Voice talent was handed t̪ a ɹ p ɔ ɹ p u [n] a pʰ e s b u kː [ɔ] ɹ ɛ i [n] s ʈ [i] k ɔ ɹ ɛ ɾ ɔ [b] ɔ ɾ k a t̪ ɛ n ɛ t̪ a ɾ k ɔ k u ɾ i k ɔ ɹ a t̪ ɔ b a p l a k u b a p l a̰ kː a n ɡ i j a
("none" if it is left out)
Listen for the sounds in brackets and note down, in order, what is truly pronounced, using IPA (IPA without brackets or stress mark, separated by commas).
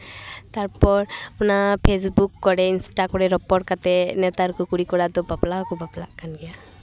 n, ɔ, n, a, p